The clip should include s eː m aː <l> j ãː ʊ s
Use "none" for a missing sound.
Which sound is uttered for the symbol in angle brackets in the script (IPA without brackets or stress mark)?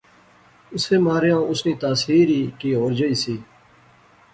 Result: ɾ